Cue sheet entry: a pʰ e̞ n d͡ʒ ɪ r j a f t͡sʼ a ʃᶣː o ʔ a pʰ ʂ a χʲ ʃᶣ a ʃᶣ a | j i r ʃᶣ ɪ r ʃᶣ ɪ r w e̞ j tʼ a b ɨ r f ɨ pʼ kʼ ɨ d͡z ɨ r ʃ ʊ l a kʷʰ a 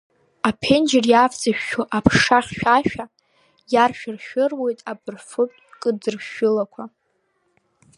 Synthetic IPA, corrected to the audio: a pʰ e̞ n d͡ʒ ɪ r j a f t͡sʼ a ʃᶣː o ʔ a pʰ ʂ a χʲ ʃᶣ a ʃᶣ a | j a r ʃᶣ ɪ r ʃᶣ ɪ r w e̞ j tʼ a b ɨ r f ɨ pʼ kʼ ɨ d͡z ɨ r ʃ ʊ l a kʷʰ a